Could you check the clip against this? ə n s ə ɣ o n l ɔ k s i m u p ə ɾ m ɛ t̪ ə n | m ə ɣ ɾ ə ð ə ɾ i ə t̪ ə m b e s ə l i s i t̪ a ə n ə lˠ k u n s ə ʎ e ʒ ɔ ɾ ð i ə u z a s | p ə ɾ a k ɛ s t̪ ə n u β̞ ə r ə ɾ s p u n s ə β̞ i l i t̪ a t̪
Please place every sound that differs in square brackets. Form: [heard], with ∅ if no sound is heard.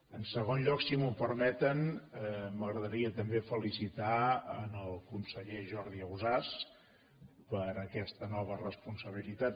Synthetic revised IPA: ə n s ə ɣ o n [ʎ] ɔ k s i m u p ə ɾ m ɛ t̪ ə n | m ə ɣ ɾ ə ð ə ɾ i ə t̪ ə m b e [f] ə l i s i t̪ a ə n ə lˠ k u n s ə ʎ e ʒ ɔ ɾ ð i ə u z a s | p ə ɾ [ə] k ɛ s t̪ ə n [ɔ] β̞ ə r ə [∅] s p u n s ə β̞ i l i t̪ a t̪